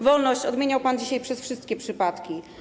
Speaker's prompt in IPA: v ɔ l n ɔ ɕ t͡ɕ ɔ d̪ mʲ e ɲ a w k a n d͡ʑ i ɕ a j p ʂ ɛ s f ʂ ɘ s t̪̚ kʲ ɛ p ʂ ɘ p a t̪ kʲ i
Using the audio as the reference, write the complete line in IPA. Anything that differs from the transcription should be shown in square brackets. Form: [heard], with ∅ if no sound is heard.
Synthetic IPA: v ɔ l n ɔ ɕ t͡ɕ ɔ d̪ mʲ e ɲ a w [p] a n d͡ʑ i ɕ a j p ʂ ɛ s f ʂ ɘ s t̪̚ kʲ ɛ p ʂ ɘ p a t̪ kʲ i